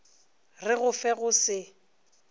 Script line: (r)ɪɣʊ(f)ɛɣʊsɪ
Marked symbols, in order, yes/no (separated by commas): yes, yes